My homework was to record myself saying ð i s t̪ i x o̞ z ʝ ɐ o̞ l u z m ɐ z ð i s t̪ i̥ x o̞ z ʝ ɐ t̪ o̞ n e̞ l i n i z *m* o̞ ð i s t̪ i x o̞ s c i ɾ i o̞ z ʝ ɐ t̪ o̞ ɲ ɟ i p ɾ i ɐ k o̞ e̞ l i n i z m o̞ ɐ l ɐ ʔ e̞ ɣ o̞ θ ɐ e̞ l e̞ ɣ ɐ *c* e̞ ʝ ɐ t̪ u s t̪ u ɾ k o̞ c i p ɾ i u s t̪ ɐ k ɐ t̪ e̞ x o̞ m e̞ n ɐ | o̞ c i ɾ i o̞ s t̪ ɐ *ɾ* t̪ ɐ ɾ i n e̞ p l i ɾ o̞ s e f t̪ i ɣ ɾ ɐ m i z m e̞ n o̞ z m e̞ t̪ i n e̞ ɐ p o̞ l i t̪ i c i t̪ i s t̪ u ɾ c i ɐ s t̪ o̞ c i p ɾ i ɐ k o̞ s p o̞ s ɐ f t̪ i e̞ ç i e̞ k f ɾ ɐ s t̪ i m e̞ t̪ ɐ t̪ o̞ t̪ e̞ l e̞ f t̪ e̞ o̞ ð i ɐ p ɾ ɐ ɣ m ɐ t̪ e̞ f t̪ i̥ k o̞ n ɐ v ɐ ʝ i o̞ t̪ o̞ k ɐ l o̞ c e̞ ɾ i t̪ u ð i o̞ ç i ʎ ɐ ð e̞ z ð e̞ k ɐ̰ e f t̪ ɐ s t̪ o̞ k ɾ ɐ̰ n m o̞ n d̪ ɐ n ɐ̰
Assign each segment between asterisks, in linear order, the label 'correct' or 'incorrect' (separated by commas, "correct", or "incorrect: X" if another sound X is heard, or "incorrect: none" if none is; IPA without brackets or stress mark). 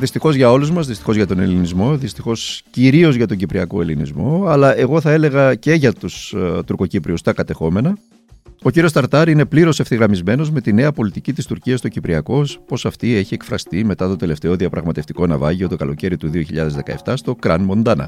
correct, correct, correct